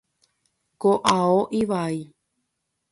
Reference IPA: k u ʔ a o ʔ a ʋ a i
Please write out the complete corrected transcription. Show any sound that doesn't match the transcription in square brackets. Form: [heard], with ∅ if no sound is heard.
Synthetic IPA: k [o] ʔ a o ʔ [i] ʋ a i

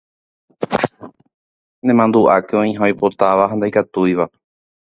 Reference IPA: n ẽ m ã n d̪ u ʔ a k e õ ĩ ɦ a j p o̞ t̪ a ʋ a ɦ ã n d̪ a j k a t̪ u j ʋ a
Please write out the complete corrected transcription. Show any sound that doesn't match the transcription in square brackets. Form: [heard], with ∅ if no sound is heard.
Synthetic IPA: n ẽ m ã n d̪ u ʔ a k e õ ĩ ɦ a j p o̞ t̪ a ʋ a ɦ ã n d̪ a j k a t̪ u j ʋ a

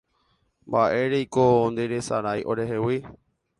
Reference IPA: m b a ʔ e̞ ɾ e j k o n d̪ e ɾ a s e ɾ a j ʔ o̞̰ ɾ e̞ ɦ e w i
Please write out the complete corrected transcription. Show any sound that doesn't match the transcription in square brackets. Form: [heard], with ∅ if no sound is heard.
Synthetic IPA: m b a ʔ e̞ ɾ e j k o n d̪ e ɾ [e] s [a] ɾ a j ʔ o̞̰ ɾ e̞ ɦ e w i

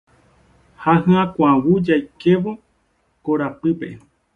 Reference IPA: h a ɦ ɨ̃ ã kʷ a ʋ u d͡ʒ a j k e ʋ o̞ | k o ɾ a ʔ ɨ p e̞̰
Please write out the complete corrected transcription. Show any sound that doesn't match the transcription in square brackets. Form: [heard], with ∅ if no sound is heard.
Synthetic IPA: h a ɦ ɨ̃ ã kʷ a [w] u d͡ʒ a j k e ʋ o̞ | k o ɾ a [p] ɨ p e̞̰

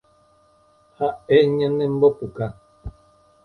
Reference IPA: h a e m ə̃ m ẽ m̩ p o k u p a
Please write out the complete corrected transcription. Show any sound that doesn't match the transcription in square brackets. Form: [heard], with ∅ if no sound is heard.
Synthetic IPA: h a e [ɲ] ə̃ [n] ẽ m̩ [b] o [p] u [k] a

